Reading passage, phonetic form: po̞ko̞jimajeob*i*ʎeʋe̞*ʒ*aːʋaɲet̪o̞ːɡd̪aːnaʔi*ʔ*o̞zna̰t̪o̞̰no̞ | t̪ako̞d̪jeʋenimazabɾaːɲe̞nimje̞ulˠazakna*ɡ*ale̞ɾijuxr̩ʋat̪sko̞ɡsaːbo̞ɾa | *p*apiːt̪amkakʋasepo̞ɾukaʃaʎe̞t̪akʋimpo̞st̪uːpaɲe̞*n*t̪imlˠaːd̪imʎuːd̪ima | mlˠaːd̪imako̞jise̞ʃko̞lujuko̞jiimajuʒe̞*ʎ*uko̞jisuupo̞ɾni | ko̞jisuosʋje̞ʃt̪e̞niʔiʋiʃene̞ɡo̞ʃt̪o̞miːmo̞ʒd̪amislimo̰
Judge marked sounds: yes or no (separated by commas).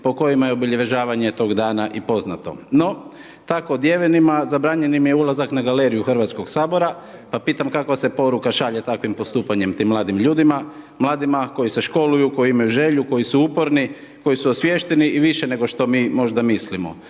yes, yes, no, yes, yes, no, yes